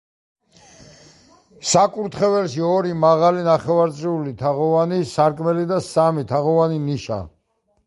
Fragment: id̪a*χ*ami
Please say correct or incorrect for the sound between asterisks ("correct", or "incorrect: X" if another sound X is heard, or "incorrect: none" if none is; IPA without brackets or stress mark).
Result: incorrect: s